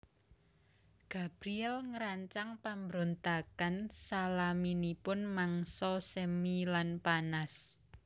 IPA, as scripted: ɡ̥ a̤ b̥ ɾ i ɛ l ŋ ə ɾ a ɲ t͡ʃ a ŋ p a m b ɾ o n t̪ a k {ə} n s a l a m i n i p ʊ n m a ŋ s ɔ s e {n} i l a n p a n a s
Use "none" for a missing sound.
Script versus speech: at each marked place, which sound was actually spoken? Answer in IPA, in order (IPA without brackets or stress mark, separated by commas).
a, m